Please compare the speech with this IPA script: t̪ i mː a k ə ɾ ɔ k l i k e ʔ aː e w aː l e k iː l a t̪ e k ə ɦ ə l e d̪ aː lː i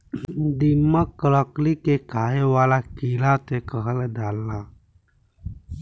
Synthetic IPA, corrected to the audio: d̪ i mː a k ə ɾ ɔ k l i k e k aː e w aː l a k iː l a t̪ e k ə ɦ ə l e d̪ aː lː a